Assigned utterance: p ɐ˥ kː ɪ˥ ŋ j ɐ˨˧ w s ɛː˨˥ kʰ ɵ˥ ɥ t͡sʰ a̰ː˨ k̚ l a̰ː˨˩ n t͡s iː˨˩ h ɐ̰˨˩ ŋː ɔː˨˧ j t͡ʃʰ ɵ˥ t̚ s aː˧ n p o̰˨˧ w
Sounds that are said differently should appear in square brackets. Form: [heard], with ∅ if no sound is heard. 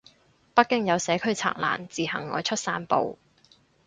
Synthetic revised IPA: p ɐ˥ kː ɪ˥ ŋ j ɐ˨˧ w s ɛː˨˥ kʰ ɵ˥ ɥ t͡sʰ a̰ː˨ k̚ l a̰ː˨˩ n t͡s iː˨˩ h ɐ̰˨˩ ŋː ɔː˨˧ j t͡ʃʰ ɵ˥ t̚ s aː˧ n p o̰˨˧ w